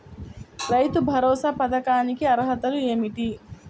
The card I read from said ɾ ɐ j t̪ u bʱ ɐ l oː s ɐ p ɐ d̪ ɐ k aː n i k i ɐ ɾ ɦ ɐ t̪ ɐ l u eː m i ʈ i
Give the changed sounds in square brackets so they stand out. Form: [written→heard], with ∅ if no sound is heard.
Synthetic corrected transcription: ɾ ɐ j t̪ u bʱ ɐ [l→ɾ] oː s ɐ p ɐ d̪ ɐ k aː n i k i ɐ ɾ ɦ ɐ t̪ ɐ l u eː m i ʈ i

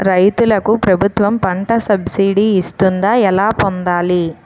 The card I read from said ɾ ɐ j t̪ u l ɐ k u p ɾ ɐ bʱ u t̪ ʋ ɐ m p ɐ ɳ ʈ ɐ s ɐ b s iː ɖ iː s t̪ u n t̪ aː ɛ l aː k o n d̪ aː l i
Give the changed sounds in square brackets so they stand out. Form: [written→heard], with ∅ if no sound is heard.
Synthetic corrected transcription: ɾ ɐ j t̪ u l ɐ k u p ɾ ɐ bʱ u t̪ ʋ ɐ m p ɐ ɳ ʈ ɐ s ɐ b s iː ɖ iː s t̪ u n [t̪→d̪] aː ɛ l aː [k→p] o n d̪ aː l i

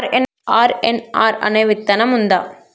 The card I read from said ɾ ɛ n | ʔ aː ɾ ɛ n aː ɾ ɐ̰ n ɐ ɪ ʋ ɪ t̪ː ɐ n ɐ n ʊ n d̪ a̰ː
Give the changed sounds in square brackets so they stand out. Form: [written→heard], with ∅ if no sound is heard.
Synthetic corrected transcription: ɾ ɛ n | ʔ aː ɾ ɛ n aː ɾ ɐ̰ n ɐ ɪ ʋ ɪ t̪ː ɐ n ɐ [n→m] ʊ n d̪ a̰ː

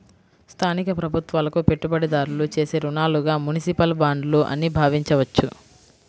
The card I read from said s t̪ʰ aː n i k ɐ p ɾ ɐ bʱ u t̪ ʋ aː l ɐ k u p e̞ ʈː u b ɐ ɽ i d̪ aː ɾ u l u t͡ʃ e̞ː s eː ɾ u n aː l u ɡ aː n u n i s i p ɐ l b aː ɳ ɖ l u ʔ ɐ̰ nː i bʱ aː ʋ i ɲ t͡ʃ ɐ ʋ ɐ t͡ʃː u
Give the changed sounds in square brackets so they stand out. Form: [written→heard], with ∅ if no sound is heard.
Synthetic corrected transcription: s t̪ʰ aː n i k ɐ p ɾ ɐ bʱ u t̪ ʋ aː l ɐ k u p e̞ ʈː u b ɐ ɽ i d̪ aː ɾ u l u t͡ʃ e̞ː s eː ɾ u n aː l u ɡ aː [n→m] u n i s i p ɐ l b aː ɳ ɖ l u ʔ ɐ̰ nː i bʱ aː ʋ i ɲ t͡ʃ ɐ ʋ ɐ t͡ʃː u

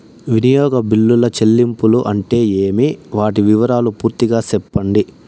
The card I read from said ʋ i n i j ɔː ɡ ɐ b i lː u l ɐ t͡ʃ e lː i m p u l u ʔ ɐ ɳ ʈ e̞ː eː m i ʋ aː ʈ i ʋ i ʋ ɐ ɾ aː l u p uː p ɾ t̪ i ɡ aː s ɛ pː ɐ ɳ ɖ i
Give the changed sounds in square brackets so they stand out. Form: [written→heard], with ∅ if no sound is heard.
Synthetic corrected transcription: ʋ i n i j ɔː ɡ ɐ b i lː u l ɐ t͡ʃ e lː i m p u l u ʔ ɐ ɳ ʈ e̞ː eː m i ʋ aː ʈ i ʋ i ʋ ɐ ɾ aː l u p uː [p→∅] ɾ t̪ i ɡ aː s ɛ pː ɐ ɳ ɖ i

